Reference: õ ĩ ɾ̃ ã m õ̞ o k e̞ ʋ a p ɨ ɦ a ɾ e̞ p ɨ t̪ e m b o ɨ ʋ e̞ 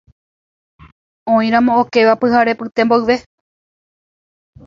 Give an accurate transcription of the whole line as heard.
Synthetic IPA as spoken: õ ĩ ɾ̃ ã m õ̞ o k e̞ ʋ a p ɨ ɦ a ɾ e̞ p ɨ t̪ e m b o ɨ ʋ e̞